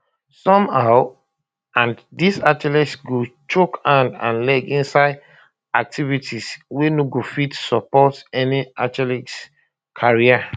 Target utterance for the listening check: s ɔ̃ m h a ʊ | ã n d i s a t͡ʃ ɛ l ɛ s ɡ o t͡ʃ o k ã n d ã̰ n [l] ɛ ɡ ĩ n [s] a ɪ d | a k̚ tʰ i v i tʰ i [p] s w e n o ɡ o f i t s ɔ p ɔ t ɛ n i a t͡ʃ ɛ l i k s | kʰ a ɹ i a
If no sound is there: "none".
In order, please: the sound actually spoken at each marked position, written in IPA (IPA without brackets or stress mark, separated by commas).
l, s, none